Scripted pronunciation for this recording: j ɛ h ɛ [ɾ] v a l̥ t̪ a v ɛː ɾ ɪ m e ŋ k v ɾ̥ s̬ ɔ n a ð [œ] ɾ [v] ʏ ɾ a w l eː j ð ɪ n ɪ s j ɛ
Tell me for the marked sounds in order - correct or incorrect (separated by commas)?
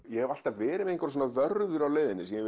incorrect, correct, incorrect